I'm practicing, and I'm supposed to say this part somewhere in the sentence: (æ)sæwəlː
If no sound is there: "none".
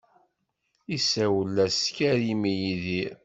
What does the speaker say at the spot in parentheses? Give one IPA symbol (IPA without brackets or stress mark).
i